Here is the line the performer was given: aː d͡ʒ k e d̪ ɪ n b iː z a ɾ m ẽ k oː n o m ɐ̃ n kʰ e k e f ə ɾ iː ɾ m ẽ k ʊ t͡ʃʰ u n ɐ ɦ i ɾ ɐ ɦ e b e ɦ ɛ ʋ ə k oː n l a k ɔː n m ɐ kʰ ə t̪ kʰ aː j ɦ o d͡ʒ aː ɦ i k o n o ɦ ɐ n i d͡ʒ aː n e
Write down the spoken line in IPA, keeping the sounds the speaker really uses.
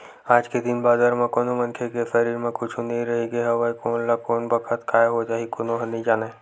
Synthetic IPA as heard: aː d͡ʒ k e d̪ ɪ n b aː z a ɾ m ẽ k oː n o m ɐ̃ n kʰ e k e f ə ɾ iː ɾ m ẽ k ʊ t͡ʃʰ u n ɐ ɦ i ɾ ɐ ɦ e ɡ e ɦ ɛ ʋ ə k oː n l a k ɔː n b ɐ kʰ ə t̪ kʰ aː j ɦ o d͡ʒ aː ɦ i k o n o ɦ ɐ n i d͡ʒ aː n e